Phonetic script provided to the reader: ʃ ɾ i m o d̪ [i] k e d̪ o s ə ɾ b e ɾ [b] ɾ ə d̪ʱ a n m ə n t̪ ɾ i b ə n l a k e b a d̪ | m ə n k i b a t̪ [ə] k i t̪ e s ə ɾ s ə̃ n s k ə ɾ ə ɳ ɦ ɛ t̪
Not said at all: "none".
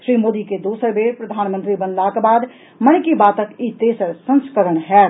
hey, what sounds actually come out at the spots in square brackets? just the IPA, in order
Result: i, p, ə

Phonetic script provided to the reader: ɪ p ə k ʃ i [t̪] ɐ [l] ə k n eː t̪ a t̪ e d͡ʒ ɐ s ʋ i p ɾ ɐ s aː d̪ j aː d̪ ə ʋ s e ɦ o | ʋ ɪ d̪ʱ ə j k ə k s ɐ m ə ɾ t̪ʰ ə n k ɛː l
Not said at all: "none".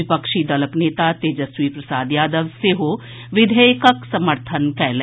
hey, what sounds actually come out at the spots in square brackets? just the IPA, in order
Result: d̪, l

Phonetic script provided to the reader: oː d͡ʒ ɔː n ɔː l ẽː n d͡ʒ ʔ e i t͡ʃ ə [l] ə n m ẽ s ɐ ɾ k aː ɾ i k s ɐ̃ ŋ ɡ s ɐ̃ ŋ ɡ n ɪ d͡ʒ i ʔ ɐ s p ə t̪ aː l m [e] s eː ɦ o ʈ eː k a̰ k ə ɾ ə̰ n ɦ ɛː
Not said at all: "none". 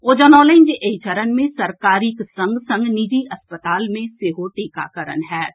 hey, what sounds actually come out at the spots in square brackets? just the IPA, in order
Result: ɾ, ẽ

